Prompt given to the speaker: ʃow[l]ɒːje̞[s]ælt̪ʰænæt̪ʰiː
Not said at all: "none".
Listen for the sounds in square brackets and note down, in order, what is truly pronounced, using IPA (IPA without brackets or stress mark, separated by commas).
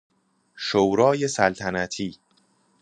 ɾ, s